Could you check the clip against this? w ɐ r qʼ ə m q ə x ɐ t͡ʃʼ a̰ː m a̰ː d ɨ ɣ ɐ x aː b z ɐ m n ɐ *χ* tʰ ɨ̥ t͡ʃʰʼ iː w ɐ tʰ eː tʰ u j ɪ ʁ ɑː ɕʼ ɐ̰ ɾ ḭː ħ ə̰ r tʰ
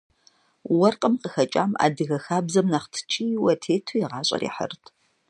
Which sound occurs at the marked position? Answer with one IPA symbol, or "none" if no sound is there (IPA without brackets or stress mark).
χ